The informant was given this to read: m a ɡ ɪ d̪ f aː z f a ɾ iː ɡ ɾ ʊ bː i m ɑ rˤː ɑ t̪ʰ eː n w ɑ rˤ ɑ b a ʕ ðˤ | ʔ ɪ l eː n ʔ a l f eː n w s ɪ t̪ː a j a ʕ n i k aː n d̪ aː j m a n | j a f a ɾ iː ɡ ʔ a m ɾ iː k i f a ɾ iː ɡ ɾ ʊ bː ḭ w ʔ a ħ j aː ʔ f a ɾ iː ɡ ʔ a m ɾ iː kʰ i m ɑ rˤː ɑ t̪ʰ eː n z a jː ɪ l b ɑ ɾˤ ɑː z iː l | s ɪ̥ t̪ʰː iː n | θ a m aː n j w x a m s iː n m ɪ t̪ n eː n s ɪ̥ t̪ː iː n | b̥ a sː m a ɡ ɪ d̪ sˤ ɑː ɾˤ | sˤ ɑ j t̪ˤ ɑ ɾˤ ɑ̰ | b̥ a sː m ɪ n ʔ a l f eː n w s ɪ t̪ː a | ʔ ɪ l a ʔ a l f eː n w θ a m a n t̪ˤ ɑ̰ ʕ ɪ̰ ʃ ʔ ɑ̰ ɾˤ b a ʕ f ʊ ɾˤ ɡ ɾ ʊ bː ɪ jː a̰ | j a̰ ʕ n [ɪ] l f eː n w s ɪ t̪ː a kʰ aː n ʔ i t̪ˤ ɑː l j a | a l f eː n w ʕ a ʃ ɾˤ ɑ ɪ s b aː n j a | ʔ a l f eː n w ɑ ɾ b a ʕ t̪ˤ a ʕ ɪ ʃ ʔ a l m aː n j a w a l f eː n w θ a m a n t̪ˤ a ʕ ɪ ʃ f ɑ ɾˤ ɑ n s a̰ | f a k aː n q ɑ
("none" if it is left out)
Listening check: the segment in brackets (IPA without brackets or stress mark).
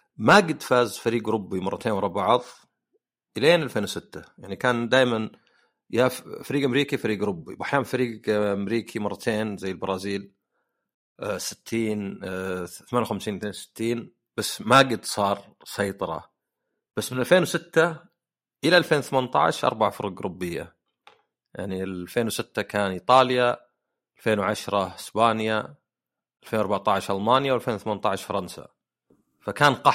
i